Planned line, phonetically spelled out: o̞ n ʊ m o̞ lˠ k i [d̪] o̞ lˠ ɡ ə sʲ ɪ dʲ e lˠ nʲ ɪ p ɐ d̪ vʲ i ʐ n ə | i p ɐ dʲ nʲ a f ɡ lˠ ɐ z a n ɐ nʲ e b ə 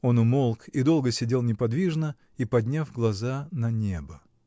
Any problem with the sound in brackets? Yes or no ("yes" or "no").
no